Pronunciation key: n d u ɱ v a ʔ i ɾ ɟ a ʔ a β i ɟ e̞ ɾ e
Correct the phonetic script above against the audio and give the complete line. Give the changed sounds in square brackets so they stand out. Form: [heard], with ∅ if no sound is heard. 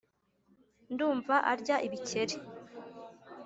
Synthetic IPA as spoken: n d [uː] ɱ v a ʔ [a] ɾ ɟ a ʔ [i] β i [c] e̞ ɾ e